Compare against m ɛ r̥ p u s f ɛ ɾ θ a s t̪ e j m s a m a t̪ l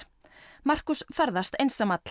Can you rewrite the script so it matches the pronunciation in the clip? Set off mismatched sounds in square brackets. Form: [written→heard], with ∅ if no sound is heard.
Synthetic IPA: m [ɛ→a] r̥ [p→k] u s f ɛ ɾ [θ→ð] a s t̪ e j [m→n] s a m a t̪ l